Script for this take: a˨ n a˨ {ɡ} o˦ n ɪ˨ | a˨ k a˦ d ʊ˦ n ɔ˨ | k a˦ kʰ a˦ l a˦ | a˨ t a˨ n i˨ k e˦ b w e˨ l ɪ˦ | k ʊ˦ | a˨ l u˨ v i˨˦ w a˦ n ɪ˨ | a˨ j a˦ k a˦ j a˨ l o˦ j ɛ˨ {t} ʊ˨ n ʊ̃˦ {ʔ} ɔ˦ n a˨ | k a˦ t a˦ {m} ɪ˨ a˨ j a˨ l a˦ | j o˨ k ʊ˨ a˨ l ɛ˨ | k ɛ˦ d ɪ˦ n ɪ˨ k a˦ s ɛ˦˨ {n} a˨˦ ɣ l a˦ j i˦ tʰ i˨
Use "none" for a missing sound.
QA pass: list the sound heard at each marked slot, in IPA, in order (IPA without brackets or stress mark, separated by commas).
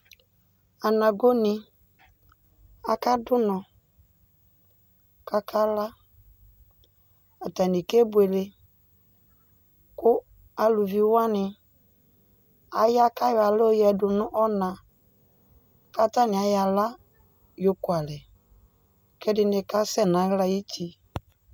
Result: ɡ, d, ʔ, n, n